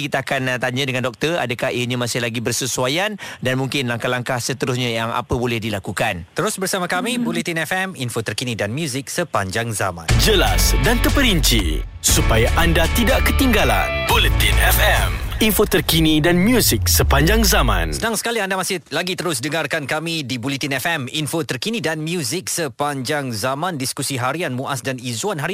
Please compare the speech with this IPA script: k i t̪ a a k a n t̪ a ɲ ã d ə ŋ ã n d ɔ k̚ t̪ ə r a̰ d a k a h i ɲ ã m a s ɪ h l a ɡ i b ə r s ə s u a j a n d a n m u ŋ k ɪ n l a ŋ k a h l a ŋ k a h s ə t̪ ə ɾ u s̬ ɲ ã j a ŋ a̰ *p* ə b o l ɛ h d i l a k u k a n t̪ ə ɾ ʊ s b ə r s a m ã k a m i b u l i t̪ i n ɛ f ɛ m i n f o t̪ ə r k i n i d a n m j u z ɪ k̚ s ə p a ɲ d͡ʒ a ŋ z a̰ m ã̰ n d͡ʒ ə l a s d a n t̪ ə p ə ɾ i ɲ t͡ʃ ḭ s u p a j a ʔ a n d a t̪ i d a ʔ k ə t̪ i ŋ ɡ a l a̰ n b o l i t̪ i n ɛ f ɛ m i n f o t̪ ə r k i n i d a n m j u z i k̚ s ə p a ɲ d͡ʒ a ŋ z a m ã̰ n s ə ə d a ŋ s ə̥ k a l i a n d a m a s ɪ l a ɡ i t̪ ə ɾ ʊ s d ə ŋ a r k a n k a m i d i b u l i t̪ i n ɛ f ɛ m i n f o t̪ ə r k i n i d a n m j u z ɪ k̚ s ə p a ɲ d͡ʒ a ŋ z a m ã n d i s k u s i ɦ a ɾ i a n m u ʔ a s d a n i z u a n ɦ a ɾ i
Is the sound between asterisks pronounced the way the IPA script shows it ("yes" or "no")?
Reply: yes